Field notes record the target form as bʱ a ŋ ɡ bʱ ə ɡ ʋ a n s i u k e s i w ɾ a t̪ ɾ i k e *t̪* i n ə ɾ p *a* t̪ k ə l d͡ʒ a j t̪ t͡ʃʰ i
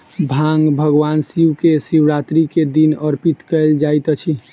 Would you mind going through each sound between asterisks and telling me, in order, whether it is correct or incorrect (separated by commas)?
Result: incorrect, incorrect